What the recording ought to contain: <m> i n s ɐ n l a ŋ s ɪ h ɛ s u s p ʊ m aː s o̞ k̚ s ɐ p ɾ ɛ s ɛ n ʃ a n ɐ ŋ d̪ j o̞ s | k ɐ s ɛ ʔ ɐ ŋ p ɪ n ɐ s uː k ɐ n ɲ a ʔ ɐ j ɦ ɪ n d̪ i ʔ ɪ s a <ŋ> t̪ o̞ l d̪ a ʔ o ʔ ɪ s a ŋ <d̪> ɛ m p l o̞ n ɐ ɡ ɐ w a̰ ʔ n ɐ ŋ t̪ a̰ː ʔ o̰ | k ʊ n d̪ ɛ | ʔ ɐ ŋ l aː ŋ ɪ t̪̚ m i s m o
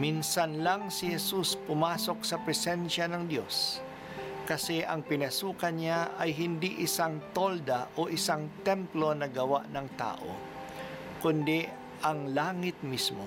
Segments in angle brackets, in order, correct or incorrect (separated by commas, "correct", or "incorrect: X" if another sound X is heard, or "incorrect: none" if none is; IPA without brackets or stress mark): correct, correct, incorrect: t̪